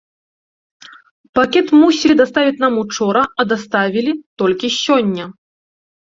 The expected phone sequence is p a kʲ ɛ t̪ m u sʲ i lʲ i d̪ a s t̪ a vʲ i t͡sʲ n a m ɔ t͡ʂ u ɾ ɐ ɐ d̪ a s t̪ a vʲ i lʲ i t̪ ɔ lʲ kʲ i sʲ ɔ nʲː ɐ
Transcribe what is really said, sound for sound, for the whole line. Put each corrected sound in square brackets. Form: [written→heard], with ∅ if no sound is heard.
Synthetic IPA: p a kʲ ɛ t̪ m u sʲ i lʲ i d̪ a s t̪ a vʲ i t͡sʲ n a m [ɔ→u] t͡ʂ [u→ɔ] ɾ ɐ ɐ d̪ a s t̪ a vʲ i lʲ i t̪ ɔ lʲ kʲ i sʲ ɔ nʲː ɐ